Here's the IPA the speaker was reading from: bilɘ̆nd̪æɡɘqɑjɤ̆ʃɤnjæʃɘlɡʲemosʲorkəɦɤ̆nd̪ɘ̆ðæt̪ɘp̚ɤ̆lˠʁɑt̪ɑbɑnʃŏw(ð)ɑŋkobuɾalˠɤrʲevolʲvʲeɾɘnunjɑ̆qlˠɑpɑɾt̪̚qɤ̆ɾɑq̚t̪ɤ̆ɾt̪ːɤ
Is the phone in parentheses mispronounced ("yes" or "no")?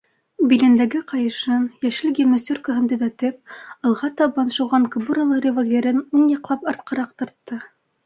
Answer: yes